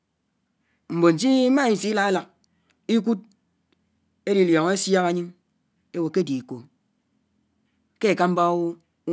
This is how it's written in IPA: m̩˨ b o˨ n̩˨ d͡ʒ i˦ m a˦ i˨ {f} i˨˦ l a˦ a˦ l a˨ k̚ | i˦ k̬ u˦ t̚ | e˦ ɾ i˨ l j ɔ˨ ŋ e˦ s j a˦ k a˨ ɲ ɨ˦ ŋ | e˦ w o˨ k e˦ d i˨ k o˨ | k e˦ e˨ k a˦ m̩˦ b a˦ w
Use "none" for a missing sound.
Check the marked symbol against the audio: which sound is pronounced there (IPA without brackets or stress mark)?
s